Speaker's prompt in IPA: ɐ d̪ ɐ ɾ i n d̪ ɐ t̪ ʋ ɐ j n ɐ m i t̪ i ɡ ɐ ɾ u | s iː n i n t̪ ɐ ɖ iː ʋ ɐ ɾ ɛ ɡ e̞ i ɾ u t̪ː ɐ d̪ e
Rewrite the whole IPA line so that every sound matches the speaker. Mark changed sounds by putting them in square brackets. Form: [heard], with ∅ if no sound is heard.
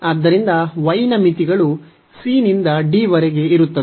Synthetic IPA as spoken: ɐ [d̪ː] ɐ ɾ i n d̪ ɐ [∅] ʋ ɐ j n ɐ m i t̪ i ɡ ɐ [ɭ] u | s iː n i n [d̪] ɐ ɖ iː ʋ ɐ ɾ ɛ ɡ e̞ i ɾ u t̪ː ɐ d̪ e